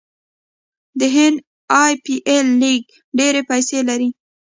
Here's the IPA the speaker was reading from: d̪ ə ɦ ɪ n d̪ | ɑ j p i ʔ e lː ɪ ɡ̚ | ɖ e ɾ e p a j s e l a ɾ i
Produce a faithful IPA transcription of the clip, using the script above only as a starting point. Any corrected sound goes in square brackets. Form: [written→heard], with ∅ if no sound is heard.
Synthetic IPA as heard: d̪ ə ɦ ɪ n d̪ | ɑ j p i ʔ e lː [ɪ→i] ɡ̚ | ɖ e ɾ e p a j s e l a ɾ i